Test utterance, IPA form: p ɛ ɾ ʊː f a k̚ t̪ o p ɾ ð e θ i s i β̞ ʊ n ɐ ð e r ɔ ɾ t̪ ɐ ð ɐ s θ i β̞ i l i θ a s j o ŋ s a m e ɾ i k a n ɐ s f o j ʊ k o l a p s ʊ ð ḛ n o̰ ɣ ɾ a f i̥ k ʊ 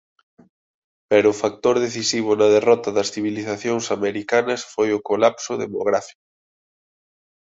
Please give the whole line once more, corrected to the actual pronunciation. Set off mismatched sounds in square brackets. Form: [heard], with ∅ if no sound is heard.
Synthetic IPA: p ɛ ɾ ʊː f a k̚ t̪ o [∅] ɾ ð e θ i s i β̞ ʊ n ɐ ð e r ɔ [∅] t̪ ɐ ð ɐ s θ i β̞ i l i θ a [θ] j o ŋ s a m e ɾ i k a n ɐ s f o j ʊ k o l a p s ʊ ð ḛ [m] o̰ ɣ ɾ a f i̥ k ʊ